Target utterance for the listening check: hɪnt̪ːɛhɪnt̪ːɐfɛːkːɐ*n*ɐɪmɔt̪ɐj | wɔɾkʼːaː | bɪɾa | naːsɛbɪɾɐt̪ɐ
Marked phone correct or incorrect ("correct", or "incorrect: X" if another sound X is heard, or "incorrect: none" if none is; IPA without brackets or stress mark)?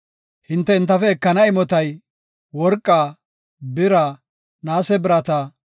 correct